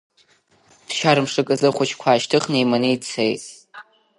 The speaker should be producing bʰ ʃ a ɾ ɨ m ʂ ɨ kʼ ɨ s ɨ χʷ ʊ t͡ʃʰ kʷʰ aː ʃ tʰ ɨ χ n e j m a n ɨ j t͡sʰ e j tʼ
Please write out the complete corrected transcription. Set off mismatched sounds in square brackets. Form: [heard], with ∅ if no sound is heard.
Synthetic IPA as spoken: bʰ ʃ a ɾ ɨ m ʂ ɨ kʼ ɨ [z] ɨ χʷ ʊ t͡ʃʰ kʷʰ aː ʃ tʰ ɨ χ n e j m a n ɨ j t͡sʰ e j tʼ